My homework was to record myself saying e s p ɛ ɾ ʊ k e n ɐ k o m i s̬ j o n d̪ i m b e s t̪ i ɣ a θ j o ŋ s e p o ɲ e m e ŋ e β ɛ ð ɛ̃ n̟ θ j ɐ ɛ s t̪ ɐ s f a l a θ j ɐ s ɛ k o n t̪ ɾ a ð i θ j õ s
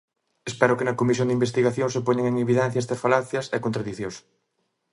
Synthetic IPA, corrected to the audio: e s p ɛ ɾ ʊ k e n ɐ k o m i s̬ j o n d̪ i m b e s t̪ i ɣ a θ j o ŋ s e p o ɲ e ŋ e ŋ e β i ð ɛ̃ n̟ θ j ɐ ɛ s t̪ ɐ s f a l a θ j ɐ s ɛ k o n t̪ ɾ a ð i θ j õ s